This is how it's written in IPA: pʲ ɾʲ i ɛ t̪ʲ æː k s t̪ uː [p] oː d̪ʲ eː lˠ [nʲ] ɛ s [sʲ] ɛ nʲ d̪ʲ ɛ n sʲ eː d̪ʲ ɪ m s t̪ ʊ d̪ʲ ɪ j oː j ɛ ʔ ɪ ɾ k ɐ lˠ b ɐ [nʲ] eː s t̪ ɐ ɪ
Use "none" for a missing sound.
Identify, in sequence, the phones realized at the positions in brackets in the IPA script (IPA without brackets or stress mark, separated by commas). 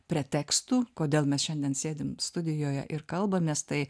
k, mʲ, ʃʲ, mʲ